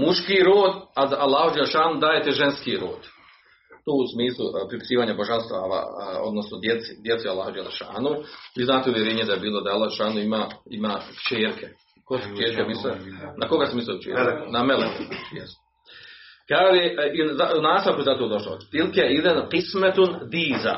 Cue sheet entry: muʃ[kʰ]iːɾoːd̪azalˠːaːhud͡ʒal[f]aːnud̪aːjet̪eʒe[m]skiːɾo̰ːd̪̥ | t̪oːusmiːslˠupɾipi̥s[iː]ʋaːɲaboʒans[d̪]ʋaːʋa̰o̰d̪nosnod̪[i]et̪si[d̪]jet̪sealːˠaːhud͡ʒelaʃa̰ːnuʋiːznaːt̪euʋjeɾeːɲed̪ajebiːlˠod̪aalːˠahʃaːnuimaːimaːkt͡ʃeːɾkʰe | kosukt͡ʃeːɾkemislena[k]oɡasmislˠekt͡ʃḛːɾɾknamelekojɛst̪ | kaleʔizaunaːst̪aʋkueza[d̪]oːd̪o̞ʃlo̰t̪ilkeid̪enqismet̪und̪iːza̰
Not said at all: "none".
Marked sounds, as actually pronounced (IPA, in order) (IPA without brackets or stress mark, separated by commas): k, ʃ, n, iː, t̪, j, d̪, k, t̪